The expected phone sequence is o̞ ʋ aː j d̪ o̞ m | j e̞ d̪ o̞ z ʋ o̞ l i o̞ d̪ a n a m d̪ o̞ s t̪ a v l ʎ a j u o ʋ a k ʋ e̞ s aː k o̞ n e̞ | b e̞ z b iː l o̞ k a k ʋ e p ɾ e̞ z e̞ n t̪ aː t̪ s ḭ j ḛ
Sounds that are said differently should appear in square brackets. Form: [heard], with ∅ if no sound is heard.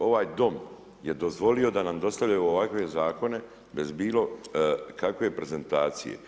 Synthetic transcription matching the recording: o̞ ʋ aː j d̪ o̞ m | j e̞ d̪ o̞ z ʋ o̞ l i o̞ d̪ a n a m d̪ o̞ s t̪ a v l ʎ a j u o ʋ a k ʋ e̞ [z] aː k o̞ n e̞ | b e̞ z b iː l o̞ k a k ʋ e p ɾ e̞ z e̞ n t̪ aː t̪ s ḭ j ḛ